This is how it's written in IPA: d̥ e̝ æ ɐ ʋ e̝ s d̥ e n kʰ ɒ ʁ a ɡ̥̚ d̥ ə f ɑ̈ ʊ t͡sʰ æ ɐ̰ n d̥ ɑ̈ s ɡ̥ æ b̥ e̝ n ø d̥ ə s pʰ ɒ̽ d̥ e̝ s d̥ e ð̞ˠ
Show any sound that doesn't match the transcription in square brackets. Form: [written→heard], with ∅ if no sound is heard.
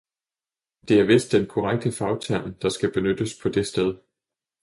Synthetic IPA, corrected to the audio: d̥ e̝ æ ɐ ʋ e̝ s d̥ e n kʰ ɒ ʁ a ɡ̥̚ d̥ ə f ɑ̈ ʊ t͡sʰ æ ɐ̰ n d̥ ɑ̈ s ɡ̥ æ b̥ e̝ n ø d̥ ə s pʰ ɒ̽ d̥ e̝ s d̥ e ð̞ˠ

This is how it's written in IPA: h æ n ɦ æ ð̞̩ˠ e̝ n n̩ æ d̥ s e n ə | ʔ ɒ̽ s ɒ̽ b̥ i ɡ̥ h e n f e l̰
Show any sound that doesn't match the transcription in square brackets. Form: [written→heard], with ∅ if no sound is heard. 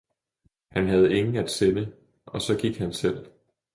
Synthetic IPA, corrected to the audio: h æ n ɦ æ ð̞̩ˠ e̝ [n→ŋ] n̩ æ d̥ s e n ə | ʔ ɒ̽ s ɒ̽ [b̥→ɡ̥] i ɡ̥ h [e→æ] n [f→s] e l̰

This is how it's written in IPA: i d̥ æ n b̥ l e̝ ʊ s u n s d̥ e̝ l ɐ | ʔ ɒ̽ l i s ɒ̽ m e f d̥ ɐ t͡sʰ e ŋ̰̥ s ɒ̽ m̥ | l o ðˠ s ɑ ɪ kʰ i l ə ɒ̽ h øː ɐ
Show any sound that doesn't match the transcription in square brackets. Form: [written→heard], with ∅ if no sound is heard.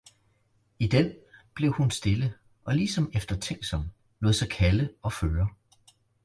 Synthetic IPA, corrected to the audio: i d̥ [æ→e] n b̥ l e̝ ʊ [s→h] u n s d̥ e̝ l [ɐ→ə] | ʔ ɒ̽ l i s ɒ̽ m e f d̥ ɐ t͡sʰ e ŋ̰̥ s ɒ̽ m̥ | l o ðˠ s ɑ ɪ kʰ [i→æ] l ə ɒ̽ [h→f] øː ɐ

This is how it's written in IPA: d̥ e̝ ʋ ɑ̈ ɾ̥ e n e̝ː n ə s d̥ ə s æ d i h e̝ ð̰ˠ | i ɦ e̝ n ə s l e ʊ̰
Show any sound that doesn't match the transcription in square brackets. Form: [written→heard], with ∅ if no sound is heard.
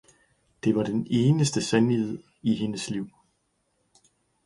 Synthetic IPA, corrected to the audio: d̥ e̝ ʋ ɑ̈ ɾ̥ e n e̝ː n ə s d̥ ə s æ [d→n] i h e̝ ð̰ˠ | i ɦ e̝ n ə s l [e→i] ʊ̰

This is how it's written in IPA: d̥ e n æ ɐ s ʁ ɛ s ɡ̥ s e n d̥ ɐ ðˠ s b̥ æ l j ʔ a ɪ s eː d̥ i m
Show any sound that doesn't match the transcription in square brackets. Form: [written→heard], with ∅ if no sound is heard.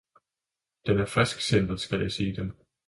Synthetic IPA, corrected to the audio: d̥ e n æ ɐ [s→f] ʁ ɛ s ɡ̥ s e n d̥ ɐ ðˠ s [b̥→ɡ̥] æ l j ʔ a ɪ s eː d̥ [i→e] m

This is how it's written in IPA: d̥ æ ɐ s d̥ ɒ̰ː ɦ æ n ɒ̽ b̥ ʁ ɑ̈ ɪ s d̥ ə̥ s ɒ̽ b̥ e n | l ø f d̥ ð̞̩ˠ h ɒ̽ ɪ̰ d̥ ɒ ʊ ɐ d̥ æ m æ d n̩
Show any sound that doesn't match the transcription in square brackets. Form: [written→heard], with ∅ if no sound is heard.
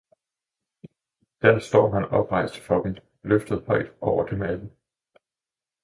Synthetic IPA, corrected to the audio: d̥ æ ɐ s d̥ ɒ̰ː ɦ æ n ɒ̽ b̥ ʁ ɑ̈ ɪ s d̥ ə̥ [s→f] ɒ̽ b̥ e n | l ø f d̥ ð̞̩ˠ h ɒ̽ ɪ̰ d̥ ɒ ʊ ɐ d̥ [æ→e] m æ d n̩

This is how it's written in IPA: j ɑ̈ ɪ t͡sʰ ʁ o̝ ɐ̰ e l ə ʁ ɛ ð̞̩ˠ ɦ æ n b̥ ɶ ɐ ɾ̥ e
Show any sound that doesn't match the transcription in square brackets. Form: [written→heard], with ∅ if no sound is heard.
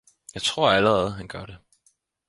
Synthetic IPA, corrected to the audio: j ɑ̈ ɪ t͡sʰ ʁ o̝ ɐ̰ [e→æ] l ə ʁ ɛ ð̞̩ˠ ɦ æ n [b̥→ɡ̥] ɶ ɐ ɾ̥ e

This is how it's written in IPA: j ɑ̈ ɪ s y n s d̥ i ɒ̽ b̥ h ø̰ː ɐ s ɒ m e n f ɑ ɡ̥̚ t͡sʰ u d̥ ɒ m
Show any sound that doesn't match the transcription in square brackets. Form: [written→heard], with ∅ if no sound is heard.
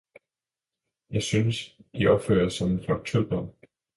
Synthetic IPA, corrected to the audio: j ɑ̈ ɪ s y n s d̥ i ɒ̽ b̥ [h→f] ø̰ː ɐ s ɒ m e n f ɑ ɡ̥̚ t͡sʰ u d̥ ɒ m

